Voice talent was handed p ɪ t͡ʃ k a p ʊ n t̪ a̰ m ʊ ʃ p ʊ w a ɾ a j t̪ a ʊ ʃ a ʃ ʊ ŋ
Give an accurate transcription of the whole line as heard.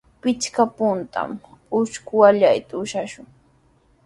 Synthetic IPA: p ɪ t͡ʃ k a p ʊ n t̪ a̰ m ʊ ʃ k ʊ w a ʎ a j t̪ a ʊ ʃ a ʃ ʊ ŋ